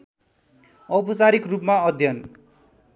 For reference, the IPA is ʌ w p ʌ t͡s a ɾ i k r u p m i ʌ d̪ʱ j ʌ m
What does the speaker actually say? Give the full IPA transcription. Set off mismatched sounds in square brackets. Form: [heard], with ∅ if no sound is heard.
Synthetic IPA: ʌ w p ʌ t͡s a ɾ i k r u p m [a] ʌ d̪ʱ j ʌ [n]